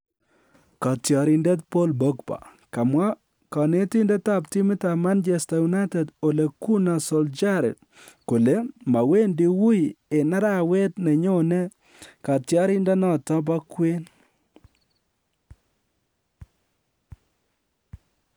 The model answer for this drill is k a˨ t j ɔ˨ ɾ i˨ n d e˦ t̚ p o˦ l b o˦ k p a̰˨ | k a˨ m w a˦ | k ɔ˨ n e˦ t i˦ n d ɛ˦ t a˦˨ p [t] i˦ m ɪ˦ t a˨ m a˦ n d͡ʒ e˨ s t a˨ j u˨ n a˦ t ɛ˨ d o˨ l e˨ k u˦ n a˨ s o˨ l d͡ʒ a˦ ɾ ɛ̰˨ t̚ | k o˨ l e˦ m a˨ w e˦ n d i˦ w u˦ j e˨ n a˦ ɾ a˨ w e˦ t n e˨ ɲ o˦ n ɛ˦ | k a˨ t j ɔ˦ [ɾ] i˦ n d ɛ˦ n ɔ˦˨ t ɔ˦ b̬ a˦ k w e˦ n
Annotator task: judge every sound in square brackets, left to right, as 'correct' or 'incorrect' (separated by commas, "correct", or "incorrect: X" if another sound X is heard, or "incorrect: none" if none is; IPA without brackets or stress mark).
correct, correct